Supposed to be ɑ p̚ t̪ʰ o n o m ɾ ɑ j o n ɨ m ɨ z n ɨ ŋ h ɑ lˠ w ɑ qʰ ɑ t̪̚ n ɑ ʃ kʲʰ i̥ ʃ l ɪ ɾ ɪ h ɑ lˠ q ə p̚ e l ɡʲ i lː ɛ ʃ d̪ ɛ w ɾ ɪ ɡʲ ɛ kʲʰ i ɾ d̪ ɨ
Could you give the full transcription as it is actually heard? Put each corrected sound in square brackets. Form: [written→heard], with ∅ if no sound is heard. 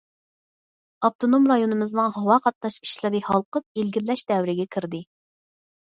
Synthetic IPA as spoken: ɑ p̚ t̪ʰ o n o m ɾ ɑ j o n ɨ m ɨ z n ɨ ŋ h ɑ [lˠ→∅] w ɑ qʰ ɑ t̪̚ n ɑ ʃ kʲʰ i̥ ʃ l ɪ ɾ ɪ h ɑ lˠ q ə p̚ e l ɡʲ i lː ɛ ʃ d̪ ɛ w ɾ ɪ ɡʲ ɛ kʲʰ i ɾ d̪ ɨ